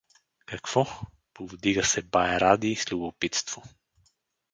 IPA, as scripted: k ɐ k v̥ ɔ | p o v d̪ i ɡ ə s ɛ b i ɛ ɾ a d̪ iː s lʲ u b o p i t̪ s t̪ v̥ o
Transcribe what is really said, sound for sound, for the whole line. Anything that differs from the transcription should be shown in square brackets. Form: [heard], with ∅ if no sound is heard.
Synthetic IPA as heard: k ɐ k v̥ ɔ | p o v d̪ i ɡ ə s ɛ b [a] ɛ ɾ a d̪ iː s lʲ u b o p i t̪ s t̪ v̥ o